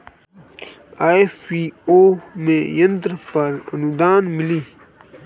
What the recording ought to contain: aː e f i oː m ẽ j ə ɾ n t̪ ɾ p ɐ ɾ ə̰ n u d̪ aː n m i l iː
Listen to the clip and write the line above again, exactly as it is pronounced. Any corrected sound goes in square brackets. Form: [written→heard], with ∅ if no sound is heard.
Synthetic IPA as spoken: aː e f i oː m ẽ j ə [ɾ→∅] n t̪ ɾ p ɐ ɾ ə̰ n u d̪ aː n m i l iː